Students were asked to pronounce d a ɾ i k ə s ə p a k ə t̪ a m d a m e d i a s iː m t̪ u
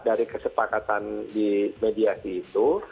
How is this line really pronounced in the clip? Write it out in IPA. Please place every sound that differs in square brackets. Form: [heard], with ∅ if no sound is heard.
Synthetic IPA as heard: d a ɾ i k ə s ə p a k [a] t̪ a [n] d [i] m e d i a s iː [∅] t̪ u